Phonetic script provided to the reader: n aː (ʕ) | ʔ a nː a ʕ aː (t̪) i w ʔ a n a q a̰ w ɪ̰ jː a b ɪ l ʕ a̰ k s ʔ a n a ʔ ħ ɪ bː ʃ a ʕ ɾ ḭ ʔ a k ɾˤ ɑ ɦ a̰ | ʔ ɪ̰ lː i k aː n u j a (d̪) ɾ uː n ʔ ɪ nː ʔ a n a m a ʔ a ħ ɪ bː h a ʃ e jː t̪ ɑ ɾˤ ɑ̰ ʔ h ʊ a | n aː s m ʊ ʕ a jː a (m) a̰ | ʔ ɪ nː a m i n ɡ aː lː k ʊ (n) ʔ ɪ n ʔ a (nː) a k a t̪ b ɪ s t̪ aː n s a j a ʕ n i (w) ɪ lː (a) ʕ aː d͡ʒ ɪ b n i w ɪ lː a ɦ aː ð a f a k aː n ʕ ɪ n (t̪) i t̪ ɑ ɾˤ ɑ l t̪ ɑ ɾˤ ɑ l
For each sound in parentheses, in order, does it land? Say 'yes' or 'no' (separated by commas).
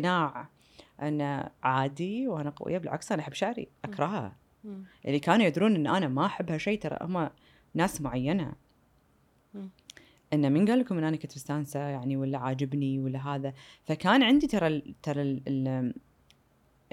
yes, no, yes, no, no, no, yes, yes, no